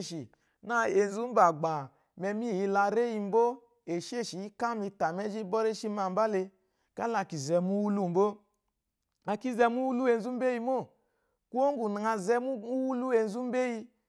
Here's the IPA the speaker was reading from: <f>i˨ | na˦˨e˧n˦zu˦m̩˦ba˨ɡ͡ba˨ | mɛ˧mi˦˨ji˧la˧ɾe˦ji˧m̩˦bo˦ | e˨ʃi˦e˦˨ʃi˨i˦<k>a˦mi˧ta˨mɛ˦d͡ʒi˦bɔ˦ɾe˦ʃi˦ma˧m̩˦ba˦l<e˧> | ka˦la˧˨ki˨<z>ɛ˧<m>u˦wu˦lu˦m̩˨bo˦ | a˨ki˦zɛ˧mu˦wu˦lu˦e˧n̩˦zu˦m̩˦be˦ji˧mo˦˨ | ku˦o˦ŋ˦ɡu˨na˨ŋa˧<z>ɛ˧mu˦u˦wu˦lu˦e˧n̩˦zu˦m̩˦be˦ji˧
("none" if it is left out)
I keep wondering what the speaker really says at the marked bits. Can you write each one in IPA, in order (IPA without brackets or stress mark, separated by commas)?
ʃ, k, e˧, z, m, z